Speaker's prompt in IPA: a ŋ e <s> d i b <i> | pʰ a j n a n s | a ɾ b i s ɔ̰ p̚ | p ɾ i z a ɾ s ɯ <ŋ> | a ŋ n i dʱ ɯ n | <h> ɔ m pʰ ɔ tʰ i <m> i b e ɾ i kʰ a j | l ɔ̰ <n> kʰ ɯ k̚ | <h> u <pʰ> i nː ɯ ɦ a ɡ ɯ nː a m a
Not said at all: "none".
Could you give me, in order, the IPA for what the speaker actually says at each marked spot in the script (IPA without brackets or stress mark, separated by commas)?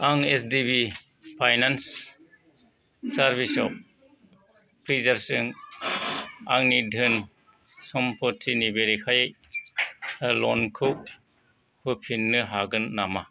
s, i, ŋ, s, n, n, h, pʰ